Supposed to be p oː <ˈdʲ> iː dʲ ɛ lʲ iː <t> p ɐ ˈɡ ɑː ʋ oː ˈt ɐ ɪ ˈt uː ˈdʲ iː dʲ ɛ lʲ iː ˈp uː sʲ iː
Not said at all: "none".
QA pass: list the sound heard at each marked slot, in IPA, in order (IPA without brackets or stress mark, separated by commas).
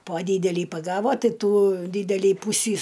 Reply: dʲ, none